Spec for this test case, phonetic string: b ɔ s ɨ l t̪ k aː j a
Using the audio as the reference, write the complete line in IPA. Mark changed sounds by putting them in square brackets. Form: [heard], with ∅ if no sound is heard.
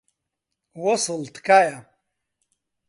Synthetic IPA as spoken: [w] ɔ s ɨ l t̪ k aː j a